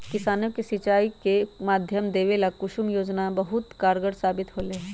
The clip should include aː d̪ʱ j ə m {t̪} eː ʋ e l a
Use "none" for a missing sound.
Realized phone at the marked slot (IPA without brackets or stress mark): d̪